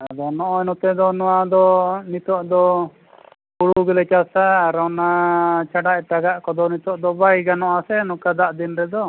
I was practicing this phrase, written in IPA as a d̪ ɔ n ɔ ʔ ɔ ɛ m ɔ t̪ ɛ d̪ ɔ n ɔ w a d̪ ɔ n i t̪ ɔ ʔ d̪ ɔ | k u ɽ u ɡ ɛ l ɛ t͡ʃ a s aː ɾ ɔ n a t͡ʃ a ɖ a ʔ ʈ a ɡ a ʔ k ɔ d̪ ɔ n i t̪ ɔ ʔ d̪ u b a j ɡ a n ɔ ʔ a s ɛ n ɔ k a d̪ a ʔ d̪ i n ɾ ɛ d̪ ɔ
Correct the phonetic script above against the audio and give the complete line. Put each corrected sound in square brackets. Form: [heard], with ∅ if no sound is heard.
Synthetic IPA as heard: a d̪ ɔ n ɔ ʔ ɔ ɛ [n] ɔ t̪ ɛ d̪ ɔ n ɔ w a d̪ ɔ n i t̪ ɔ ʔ d̪ ɔ | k u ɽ u ɡ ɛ l ɛ t͡ʃ a s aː ɾ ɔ n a t͡ʃ a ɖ a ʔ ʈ a ɡ a ʔ k ɔ d̪ ɔ n i t̪ ɔ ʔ d̪ [ɔ] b a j ɡ a n ɔ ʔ a s ɛ n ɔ k a d̪ a ʔ d̪ i n ɾ ɛ d̪ ɔ

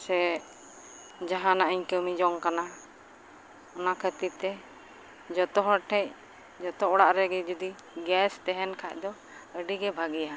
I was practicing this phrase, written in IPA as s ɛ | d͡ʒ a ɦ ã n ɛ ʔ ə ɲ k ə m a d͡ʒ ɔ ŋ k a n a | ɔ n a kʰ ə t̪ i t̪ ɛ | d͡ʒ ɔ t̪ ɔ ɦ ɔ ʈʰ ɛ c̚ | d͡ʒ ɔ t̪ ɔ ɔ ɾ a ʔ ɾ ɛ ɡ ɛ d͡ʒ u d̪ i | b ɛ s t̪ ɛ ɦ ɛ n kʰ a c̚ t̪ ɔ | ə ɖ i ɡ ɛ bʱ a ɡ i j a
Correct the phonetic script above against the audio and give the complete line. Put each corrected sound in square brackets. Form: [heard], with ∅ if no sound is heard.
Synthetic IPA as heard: s ɛ | d͡ʒ a ɦ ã n [a] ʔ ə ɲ k ə m [i] d͡ʒ ɔ ŋ k a n a | ɔ n a kʰ ə t̪ i t̪ ɛ | d͡ʒ ɔ t̪ ɔ ɦ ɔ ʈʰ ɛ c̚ | d͡ʒ ɔ t̪ ɔ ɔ [ɽ] a ʔ ɾ ɛ ɡ ɛ d͡ʒ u d̪ i | [ɡ] ɛ s t̪ ɛ ɦ ɛ n kʰ a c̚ [d̪] ɔ | ə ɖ i ɡ ɛ bʱ a ɡ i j a

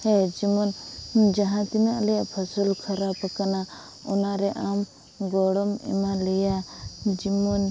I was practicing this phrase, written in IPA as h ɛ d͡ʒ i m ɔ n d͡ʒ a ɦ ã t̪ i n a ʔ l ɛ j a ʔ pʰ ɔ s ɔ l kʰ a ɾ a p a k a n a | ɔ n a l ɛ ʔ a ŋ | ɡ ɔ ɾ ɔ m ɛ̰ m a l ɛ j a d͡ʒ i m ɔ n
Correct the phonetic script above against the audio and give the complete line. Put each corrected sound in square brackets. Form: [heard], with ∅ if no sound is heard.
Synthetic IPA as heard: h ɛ d͡ʒ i m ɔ n d͡ʒ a ɦ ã t̪ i n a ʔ l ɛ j a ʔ pʰ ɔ s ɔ l kʰ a ɾ a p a k a n a | ɔ n a [ɾ] ɛ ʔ a [m] | ɡ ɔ [ɽ] ɔ m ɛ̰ m a l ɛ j a d͡ʒ i m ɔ n

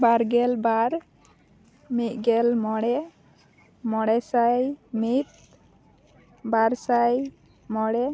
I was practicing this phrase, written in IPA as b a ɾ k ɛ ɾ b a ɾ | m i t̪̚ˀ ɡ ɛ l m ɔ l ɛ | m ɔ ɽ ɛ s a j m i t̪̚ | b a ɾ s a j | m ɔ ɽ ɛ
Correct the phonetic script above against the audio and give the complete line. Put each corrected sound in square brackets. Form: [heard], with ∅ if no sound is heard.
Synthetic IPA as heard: b a ɾ [ɡ] ɛ [l] b a ɾ | m i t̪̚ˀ ɡ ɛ l m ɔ [ɽ] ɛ | m ɔ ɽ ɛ s a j m i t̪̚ | b a ɾ s a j | m ɔ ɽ ɛ

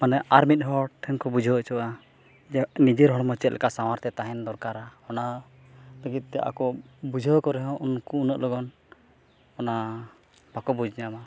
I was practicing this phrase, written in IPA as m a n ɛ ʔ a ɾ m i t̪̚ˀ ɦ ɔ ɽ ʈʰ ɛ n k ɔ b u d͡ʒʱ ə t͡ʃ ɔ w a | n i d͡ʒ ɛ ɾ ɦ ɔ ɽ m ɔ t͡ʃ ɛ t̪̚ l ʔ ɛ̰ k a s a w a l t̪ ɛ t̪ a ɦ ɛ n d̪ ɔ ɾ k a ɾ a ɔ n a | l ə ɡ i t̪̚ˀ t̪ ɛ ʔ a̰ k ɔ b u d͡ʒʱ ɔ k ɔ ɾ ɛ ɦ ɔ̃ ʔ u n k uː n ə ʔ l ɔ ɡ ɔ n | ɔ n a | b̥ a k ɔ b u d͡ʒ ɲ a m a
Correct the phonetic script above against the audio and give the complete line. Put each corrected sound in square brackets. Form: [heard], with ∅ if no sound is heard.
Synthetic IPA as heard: m a n ɛ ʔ a ɾ m i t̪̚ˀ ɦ ɔ ɽ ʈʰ ɛ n k ɔ b u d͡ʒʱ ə t͡ʃ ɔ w a | n i d͡ʒ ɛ ɾ ɦ ɔ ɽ m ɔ t͡ʃ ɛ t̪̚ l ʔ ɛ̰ k a s a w a [ɾ] t̪ ɛ t̪ a ɦ ɛ n d̪ ɔ ɾ k a ɾ a ɔ n a | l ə ɡ i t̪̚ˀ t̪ ɛ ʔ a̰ k ɔ b u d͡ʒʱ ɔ k ɔ ɾ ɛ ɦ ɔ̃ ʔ u n k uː n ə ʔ l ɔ ɡ ɔ n | ɔ n a | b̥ a k ɔ b u d͡ʒ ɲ a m a

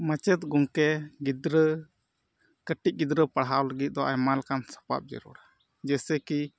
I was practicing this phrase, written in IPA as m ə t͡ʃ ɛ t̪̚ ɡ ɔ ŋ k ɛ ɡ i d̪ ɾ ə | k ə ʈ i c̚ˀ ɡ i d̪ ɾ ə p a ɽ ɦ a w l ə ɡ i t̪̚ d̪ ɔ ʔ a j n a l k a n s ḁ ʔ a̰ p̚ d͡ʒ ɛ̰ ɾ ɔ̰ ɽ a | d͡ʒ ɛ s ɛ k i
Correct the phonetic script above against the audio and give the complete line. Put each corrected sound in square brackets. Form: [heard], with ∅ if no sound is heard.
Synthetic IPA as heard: m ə t͡ʃ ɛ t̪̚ ɡ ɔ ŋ k ɛ ɡ i d̪ ɾ ə | k ə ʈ i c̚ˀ ɡ i d̪ ɾ ə p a ɽ ɦ a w l ə ɡ i t̪̚ d̪ ɔ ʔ a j [m] a l k a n s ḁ [p] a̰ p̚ d͡ʒ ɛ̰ ɾ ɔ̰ ɽ a | d͡ʒ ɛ s ɛ k i

